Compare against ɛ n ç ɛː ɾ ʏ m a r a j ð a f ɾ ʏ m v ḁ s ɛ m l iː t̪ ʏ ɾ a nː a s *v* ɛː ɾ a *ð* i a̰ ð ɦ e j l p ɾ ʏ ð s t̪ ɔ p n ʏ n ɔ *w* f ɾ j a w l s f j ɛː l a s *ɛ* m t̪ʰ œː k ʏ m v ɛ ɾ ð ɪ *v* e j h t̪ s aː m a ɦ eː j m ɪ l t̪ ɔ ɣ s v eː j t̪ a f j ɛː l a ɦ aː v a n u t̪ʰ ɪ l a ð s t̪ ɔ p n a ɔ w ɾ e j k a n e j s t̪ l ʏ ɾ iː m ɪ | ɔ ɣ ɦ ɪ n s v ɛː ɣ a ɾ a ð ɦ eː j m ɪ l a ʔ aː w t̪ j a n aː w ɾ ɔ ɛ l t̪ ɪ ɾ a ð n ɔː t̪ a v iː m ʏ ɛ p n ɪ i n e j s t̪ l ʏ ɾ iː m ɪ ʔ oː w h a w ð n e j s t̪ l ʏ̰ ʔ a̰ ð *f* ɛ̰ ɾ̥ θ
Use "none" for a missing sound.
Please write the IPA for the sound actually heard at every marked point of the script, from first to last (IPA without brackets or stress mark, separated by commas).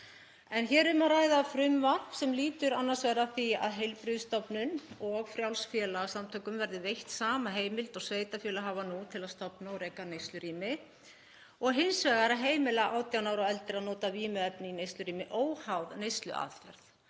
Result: v, θ, ɣ, a, v, f